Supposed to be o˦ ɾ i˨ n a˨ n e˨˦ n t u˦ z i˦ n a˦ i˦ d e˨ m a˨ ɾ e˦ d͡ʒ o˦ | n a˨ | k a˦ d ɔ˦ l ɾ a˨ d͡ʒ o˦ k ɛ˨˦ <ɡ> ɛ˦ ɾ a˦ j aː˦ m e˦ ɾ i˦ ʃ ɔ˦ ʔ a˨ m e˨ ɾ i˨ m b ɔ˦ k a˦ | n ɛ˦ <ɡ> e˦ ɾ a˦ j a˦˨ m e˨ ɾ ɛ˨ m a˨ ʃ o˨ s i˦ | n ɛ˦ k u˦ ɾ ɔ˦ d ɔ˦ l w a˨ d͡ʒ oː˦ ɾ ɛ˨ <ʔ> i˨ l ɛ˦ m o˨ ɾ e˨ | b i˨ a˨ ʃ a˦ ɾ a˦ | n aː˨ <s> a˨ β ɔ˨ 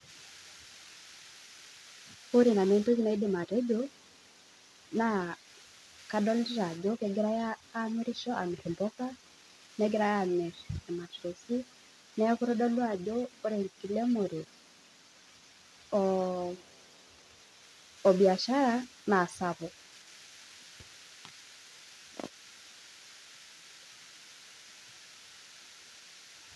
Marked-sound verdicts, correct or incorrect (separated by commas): correct, correct, incorrect, correct